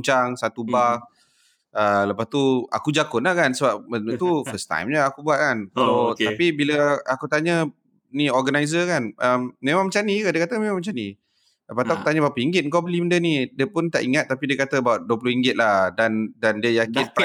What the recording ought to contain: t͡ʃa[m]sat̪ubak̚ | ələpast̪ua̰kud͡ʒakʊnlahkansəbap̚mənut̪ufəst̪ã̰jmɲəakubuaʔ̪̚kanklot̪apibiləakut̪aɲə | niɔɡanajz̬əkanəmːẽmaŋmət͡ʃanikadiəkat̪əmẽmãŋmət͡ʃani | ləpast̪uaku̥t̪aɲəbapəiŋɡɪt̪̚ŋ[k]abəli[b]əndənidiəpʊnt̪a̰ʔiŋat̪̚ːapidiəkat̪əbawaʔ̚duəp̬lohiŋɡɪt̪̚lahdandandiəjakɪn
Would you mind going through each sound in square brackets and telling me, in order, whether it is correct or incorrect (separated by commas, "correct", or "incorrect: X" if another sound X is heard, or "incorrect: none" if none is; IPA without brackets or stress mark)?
incorrect: ŋ, correct, incorrect: m